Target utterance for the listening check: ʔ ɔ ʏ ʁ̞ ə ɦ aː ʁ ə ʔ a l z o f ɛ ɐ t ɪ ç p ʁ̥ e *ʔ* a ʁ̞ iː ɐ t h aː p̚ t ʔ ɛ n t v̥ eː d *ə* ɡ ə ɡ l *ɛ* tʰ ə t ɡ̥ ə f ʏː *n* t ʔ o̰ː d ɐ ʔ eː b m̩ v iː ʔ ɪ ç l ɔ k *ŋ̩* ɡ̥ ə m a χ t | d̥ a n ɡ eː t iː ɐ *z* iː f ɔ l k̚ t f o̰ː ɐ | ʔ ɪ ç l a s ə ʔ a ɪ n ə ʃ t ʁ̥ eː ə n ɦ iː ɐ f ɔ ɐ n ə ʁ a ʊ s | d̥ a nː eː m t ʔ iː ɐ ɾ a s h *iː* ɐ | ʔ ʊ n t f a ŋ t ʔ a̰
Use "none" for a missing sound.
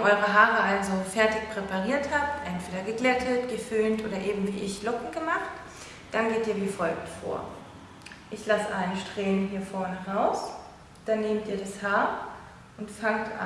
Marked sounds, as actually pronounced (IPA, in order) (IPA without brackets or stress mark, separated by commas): p, ɐ, ɛ, n, ŋ̩, v, aː